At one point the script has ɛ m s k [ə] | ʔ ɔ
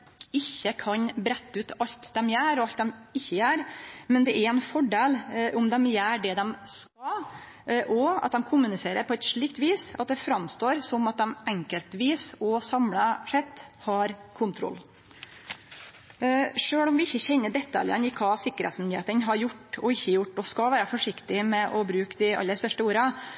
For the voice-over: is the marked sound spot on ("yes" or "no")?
no